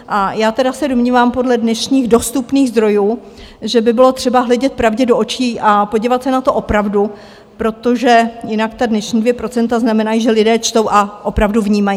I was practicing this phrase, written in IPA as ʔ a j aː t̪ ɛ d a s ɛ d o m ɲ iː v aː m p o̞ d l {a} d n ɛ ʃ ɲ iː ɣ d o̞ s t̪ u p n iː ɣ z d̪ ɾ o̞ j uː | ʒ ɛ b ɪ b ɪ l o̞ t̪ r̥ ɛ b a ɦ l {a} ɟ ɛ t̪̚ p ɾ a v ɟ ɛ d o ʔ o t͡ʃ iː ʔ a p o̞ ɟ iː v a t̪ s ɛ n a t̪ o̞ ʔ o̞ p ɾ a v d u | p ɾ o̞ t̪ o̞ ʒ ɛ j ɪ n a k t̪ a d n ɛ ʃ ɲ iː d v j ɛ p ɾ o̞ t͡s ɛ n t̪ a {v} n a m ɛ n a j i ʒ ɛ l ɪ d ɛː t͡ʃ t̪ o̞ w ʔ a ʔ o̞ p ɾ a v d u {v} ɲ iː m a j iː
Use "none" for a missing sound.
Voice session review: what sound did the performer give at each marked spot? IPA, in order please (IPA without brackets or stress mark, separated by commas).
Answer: ɛ, ɛ, z, v